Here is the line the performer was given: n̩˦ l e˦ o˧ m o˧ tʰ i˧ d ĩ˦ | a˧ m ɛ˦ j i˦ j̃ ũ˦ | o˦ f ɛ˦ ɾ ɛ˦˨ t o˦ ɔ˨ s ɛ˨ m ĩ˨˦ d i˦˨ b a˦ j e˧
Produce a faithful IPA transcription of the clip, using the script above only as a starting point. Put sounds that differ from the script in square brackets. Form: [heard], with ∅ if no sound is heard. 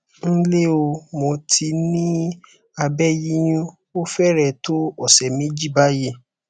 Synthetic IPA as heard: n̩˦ l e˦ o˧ m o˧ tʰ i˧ [n] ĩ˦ | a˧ [b] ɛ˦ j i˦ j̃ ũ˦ | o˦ f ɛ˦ ɾ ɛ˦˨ t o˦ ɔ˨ s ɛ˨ m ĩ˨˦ [d͡ʒ] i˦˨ b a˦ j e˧